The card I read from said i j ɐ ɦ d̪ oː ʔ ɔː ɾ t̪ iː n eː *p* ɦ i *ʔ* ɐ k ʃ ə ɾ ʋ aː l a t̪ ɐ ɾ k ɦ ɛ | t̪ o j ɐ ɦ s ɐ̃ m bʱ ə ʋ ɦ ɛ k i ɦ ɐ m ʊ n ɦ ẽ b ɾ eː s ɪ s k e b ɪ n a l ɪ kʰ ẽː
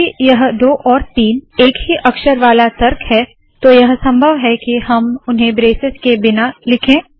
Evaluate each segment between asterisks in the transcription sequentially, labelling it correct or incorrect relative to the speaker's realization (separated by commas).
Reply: incorrect, correct